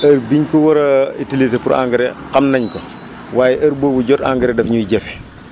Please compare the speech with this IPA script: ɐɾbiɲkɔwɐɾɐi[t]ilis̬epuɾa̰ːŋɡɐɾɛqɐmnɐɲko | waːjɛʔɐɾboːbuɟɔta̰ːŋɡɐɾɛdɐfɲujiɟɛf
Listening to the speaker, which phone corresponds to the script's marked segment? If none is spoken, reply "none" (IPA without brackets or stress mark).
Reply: t